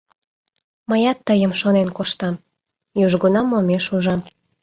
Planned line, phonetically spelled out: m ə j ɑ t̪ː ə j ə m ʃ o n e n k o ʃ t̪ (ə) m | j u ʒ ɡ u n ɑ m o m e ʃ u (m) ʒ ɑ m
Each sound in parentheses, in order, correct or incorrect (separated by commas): incorrect, incorrect